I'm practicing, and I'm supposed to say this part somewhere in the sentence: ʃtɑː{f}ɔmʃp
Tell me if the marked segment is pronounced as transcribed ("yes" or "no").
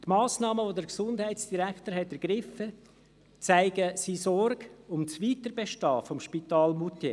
yes